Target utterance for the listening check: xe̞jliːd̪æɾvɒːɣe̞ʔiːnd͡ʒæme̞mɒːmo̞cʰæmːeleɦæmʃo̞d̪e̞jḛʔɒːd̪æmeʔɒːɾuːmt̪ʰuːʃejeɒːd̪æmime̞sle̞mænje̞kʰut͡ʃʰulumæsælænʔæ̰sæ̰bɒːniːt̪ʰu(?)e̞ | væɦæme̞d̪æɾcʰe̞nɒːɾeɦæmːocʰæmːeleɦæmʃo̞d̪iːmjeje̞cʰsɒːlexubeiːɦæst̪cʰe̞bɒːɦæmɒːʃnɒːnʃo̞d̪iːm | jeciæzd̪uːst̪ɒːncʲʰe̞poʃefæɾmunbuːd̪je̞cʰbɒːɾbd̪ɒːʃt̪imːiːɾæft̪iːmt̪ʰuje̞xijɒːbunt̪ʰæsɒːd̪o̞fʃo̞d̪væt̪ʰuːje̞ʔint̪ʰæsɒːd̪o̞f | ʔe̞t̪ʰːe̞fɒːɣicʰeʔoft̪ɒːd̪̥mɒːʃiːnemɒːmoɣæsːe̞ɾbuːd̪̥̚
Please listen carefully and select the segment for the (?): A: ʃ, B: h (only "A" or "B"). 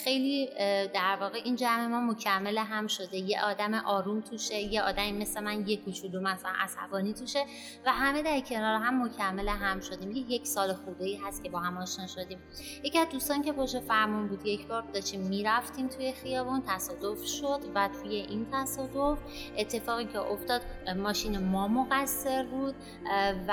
A